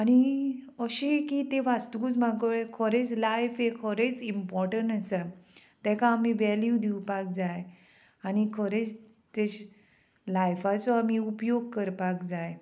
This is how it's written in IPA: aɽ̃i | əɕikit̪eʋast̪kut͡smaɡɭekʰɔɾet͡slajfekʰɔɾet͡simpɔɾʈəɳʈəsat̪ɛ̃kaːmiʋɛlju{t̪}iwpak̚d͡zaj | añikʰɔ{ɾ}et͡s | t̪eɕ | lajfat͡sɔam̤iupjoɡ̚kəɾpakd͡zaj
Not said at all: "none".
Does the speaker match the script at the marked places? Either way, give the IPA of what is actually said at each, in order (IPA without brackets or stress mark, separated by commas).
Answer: d̪, ɾ